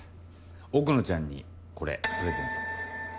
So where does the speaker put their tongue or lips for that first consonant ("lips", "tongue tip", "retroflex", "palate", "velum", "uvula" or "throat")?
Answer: velum